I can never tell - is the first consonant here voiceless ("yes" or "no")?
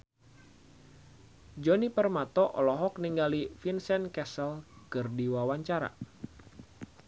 no